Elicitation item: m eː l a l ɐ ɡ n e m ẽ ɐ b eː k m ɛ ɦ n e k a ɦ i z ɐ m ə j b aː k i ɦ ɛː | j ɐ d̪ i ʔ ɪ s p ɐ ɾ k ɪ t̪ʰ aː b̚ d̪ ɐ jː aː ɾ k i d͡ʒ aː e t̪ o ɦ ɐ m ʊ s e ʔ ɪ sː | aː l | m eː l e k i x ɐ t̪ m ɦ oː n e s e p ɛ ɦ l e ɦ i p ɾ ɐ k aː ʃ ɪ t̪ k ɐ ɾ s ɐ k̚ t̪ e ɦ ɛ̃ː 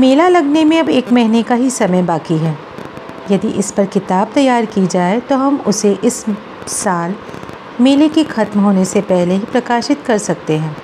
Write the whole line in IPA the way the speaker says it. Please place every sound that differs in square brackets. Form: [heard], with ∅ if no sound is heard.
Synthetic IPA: m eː l a l ɐ ɡ n e m ẽ ɐ b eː k m ɛ ɦ n e k a ɦ i [s] ɐ m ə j b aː k i ɦ ɛː | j ɐ d̪ i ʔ ɪ s p ɐ ɾ k ɪ [t̪] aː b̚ [t̪] ɐ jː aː ɾ k i d͡ʒ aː e t̪ o ɦ ɐ m ʊ s e ʔ ɪ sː | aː l | m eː l e k i x ɐ t̪ m ɦ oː n e s e p ɛ ɦ l e ɦ i p ɾ ɐ k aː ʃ ɪ t̪ k ɐ ɾ s ɐ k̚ t̪ e ɦ ɛ̃ː